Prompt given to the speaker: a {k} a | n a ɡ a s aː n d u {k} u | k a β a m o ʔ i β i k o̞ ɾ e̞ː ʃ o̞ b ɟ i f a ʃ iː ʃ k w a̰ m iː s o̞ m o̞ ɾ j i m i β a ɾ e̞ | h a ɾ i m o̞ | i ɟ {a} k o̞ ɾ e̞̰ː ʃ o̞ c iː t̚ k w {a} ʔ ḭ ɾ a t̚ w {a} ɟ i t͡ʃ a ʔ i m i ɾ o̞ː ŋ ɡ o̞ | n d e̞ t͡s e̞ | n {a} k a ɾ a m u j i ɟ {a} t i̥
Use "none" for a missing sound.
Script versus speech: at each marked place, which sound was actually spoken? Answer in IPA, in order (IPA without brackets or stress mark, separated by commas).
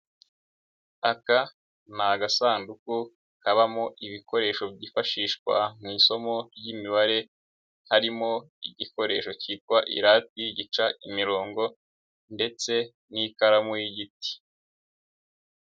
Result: k, k, i, a, i, i, i